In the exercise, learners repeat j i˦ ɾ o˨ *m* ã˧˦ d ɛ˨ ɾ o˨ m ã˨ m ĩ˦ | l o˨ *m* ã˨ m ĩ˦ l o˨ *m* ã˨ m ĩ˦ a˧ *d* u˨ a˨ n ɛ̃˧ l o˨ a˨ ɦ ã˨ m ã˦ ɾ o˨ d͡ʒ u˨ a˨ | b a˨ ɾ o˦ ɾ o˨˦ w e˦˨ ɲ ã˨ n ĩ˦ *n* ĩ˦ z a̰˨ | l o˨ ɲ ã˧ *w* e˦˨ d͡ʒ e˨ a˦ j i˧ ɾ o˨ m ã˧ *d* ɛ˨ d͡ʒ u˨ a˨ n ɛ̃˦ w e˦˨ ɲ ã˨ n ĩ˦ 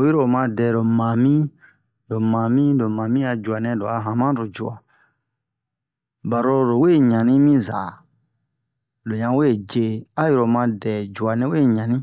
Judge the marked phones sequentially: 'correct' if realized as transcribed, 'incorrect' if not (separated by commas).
correct, correct, correct, incorrect, incorrect, correct, correct